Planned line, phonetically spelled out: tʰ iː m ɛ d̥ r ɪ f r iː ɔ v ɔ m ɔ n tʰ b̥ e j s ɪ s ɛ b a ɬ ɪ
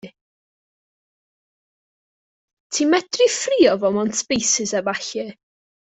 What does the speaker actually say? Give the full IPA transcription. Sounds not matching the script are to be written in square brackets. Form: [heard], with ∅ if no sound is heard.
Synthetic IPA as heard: tʰ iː m ɛ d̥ r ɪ f r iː ɔ v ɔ m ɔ n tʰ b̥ e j s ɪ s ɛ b a ɬ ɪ

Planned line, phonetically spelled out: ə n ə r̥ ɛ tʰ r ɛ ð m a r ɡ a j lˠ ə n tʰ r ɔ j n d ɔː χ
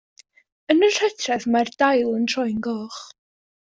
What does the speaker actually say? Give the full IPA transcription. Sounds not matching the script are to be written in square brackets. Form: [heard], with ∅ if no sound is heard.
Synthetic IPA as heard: ə n ə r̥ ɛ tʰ r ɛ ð m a r [d] a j lˠ ə n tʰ r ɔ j n [ɡ] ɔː χ

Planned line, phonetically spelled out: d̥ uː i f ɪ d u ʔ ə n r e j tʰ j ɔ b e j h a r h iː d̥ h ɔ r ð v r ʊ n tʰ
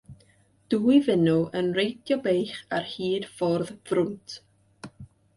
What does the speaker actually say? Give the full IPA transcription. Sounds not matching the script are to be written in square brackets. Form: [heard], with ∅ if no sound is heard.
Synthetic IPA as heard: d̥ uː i [v] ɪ [n] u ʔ ə n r e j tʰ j ɔ b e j [χ] a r h iː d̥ [f] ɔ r ð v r ʊ n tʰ

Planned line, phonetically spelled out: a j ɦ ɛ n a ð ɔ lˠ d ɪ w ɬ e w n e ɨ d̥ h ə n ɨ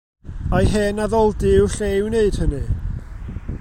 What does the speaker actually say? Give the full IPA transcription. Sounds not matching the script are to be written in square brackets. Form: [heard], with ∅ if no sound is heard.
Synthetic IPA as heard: a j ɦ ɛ n a ð ɔ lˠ d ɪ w ɬ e w n e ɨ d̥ h ə n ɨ

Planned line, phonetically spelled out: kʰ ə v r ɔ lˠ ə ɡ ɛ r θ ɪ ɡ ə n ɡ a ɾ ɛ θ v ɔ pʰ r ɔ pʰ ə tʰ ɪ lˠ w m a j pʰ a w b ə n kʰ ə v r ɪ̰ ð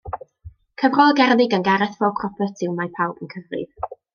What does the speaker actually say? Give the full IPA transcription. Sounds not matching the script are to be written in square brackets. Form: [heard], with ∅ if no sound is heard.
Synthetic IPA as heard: kʰ ə v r ɔ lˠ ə ɡ ɛ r [ð] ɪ ɡ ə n ɡ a ɾ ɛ θ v ɔ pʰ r ɔ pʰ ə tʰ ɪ [∅] w m a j pʰ a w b ə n kʰ ə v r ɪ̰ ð

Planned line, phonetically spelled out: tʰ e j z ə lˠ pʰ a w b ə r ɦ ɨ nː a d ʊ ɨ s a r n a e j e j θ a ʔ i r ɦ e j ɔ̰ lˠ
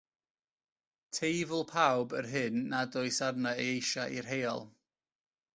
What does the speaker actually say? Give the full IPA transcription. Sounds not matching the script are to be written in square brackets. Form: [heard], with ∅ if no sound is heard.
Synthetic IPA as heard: tʰ e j [v] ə lˠ pʰ a w b ə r ɦ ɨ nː a d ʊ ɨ s a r n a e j e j [ʃ] a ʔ i r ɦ e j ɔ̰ lˠ

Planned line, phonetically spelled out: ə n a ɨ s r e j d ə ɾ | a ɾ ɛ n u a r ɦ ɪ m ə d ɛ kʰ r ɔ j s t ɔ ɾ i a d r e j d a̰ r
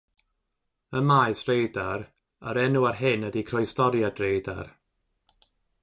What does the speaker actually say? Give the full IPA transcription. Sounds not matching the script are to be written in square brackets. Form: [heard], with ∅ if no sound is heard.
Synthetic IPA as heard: ə [m] a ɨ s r e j d [a] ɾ | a ɾ ɛ n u a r ɦ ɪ [n] ə d [i] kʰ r ɔ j s t ɔ ɾ [j] a d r e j d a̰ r

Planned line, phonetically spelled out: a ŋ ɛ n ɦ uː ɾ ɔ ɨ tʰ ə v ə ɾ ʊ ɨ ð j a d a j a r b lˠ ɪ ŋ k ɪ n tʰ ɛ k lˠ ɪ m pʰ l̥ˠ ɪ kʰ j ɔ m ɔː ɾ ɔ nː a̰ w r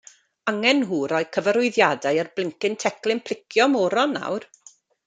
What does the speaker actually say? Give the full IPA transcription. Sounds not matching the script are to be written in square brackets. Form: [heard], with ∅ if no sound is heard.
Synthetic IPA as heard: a ŋ ɛ n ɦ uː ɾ ɔ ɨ [kʰ] ə v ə ɾ ʊ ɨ ð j a d a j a r b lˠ ɪ ŋ k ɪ n tʰ ɛ k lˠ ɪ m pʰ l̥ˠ ɪ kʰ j ɔ m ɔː ɾ ɔ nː a̰ w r

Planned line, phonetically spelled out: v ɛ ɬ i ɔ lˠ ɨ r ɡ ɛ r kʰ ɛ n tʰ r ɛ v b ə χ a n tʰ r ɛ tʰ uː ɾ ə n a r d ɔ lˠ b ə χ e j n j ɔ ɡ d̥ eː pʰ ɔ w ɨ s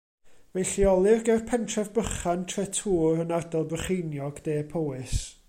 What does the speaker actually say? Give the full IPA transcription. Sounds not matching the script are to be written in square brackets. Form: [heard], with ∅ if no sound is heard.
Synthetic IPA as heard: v ɛ ɬ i ɔ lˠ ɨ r ɡ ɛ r [pʰ] ɛ n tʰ r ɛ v b ə χ a n tʰ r ɛ tʰ uː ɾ ə n a r d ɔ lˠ b ə χ e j n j ɔ ɡ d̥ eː pʰ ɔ w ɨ s

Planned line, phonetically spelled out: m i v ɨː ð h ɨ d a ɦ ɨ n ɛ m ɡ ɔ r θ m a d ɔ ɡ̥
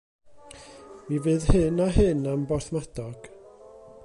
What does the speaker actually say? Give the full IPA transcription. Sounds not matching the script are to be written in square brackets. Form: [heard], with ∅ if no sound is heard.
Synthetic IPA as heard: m i v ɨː ð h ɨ [n] a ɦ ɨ n [a] m [b] ɔ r θ m a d ɔ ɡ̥

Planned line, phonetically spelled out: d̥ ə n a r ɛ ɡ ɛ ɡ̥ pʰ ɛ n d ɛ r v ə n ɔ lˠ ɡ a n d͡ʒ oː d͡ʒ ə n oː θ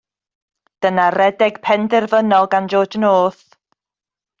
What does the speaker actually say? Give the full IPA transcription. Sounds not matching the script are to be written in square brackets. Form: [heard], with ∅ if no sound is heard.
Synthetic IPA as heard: d̥ ə n a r ɛ [d] ɛ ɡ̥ pʰ ɛ n d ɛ r v ə n ɔ lˠ ɡ a n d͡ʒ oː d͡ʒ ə n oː θ

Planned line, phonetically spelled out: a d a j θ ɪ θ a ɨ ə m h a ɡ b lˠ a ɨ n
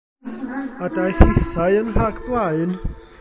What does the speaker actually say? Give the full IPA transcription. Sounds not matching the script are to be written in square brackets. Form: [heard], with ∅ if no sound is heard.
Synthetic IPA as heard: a d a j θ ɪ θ a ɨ ə [n] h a ɡ b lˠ a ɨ n

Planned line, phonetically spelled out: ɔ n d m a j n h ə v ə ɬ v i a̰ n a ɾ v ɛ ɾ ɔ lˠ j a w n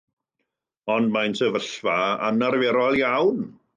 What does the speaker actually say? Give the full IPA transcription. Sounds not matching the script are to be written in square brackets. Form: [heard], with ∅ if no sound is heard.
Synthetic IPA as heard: ɔ n d m a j n [s] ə v ə ɬ v [a] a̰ n a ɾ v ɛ ɾ ɔ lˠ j a w n

